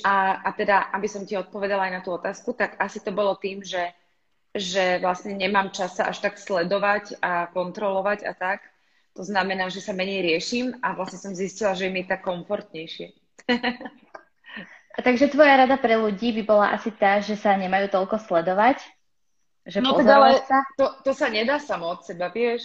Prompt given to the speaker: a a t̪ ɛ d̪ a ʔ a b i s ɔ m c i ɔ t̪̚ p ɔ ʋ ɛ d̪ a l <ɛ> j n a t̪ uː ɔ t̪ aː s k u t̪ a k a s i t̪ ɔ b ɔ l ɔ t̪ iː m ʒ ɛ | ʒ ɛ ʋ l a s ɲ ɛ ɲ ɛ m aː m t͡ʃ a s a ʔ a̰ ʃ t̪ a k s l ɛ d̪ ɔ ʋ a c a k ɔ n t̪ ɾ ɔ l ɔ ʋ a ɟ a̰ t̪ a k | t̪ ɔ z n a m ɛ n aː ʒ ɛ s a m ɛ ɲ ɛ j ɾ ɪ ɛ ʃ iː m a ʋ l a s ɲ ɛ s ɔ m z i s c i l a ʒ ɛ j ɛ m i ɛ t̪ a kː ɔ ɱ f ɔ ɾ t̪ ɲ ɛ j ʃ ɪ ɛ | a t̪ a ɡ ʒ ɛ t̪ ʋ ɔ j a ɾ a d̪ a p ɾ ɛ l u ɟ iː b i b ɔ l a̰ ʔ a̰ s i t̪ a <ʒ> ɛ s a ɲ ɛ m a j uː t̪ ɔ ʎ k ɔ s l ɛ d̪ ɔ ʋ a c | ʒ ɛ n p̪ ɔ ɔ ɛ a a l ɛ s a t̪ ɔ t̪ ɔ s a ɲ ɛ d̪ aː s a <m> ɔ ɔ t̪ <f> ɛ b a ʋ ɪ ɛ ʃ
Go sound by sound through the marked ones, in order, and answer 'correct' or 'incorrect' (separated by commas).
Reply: incorrect, correct, correct, incorrect